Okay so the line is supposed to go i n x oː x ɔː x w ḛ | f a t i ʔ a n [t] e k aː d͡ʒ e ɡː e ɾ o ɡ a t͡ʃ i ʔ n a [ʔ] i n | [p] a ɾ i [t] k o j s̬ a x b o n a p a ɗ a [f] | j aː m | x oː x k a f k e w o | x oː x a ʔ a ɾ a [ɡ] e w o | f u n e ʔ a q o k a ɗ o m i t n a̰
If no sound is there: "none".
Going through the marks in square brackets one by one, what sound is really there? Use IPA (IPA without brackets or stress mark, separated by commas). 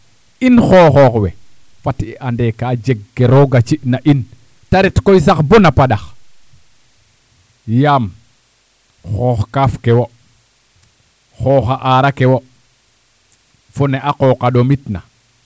d, ʔ, t, t, x, k